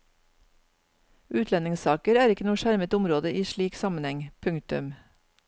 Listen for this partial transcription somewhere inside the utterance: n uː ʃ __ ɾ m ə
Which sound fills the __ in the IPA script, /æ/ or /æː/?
æ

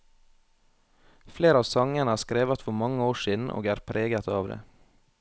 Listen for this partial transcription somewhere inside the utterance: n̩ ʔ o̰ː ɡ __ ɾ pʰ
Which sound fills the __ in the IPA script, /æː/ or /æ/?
æː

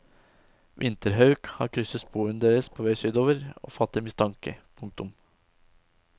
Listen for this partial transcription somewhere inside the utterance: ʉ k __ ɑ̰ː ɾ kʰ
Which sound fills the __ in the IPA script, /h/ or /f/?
h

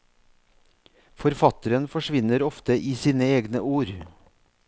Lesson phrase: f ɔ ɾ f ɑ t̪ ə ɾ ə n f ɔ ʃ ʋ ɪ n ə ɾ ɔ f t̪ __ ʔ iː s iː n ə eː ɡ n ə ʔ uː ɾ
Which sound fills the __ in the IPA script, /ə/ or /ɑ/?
ə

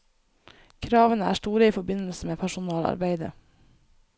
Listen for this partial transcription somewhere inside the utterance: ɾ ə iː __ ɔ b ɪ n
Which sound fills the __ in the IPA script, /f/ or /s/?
f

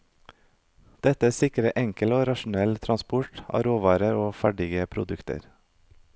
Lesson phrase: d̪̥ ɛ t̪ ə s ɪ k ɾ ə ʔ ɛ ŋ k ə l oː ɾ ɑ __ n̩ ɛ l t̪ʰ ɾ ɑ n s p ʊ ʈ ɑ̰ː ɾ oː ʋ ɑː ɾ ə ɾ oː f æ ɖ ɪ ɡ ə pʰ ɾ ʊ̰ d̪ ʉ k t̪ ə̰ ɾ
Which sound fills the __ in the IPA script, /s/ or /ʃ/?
ʃ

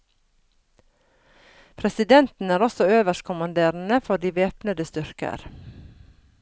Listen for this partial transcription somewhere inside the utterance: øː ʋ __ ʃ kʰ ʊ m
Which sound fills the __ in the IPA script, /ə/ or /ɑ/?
ə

